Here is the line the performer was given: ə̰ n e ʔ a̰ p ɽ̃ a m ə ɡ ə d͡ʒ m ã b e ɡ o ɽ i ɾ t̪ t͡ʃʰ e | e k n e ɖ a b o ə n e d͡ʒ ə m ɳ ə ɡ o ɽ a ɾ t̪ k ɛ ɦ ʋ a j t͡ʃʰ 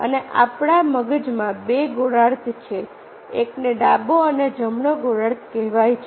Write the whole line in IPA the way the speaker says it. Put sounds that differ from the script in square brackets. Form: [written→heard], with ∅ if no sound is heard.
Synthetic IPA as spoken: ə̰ n e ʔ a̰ p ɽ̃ a m ə ɡ ə d͡ʒ m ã b e ɡ o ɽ [i→a] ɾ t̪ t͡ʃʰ e | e k n e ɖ a b o ə n e d͡ʒ ə m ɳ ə ɡ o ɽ a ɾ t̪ k ɛ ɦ ʋ a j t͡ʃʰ